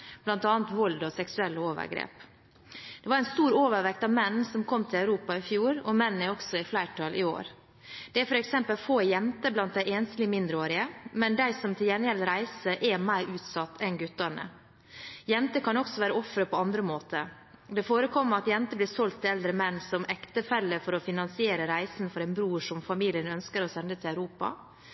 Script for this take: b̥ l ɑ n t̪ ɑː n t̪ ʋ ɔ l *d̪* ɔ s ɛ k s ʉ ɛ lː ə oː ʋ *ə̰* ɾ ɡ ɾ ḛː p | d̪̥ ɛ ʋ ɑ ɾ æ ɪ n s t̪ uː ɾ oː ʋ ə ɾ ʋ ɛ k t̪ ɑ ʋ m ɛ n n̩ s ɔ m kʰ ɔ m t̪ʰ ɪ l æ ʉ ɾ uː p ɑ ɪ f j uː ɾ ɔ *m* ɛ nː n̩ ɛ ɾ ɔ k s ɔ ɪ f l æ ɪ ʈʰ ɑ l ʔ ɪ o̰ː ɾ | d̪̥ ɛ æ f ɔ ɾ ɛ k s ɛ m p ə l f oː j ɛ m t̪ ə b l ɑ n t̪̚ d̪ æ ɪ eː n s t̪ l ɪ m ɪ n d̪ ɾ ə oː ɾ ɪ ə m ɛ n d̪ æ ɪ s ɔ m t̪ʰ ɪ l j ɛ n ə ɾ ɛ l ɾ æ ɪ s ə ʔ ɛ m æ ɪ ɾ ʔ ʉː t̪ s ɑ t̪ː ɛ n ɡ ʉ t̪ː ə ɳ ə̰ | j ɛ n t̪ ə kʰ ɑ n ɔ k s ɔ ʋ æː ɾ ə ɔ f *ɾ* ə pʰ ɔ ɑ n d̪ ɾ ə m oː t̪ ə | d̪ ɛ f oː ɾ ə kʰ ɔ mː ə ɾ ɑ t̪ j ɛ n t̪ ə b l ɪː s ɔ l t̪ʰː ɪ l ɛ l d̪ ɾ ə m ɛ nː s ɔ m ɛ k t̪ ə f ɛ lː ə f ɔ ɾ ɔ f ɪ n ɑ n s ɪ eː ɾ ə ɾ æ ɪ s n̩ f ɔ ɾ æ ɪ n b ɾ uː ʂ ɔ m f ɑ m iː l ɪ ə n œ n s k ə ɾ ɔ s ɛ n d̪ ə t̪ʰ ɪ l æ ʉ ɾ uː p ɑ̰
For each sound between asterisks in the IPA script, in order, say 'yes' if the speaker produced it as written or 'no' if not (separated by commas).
yes, yes, yes, yes